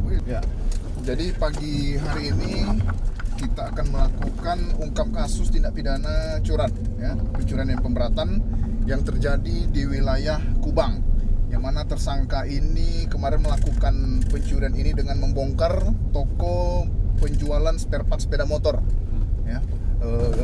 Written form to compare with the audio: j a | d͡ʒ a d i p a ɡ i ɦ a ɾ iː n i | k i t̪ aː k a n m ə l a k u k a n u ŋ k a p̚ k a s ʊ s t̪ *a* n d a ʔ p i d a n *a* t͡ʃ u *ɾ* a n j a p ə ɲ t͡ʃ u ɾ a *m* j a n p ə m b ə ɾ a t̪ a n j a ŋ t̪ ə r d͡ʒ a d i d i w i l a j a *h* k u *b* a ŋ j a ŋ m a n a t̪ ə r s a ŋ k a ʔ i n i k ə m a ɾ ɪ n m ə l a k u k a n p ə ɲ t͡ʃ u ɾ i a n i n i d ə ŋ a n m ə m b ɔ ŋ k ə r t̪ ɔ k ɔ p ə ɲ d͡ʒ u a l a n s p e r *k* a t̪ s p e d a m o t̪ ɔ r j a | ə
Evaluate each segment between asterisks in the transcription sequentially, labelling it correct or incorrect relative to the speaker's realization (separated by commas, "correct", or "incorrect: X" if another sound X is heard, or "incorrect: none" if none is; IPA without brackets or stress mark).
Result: incorrect: i, correct, correct, incorrect: n, correct, correct, incorrect: p